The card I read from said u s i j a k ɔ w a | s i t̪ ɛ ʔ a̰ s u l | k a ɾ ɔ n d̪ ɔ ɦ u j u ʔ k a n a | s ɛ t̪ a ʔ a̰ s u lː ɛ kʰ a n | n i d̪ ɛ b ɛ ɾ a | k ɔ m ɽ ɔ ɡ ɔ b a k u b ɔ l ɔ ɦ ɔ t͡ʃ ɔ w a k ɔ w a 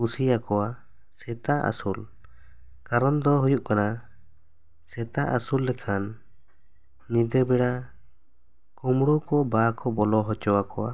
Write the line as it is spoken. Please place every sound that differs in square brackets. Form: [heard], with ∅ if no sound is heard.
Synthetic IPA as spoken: u s i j a k ɔ w a | s [ɛ] t̪ [a] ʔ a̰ s u l | k a ɾ ɔ n d̪ ɔ ɦ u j u ʔ k a n a | s ɛ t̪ a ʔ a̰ s u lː ɛ kʰ a n | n i d̪ ɛ b ɛ [ɽ] a | k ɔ m ɽ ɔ [k] ɔ b a k [ɔ] b ɔ l ɔ ɦ ɔ t͡ʃ ɔ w a k ɔ w a